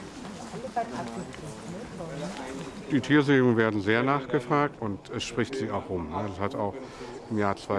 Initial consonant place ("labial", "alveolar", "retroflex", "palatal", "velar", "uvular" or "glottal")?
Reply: alveolar